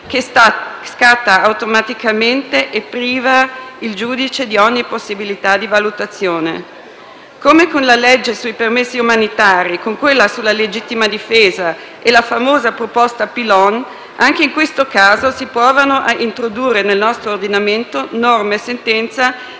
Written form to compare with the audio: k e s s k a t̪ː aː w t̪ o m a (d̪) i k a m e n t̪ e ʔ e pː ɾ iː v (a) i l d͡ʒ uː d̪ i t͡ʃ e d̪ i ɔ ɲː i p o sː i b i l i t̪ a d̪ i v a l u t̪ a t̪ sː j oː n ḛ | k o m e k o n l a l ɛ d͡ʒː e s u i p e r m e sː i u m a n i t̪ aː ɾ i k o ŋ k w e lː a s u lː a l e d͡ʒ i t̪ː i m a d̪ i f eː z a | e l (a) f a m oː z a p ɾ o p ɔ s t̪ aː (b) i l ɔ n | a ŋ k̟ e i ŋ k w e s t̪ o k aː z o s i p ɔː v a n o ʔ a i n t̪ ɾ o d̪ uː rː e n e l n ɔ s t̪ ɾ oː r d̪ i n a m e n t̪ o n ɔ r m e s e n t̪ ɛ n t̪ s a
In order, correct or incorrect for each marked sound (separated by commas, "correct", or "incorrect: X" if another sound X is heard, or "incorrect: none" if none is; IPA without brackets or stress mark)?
incorrect: t̪, correct, correct, incorrect: p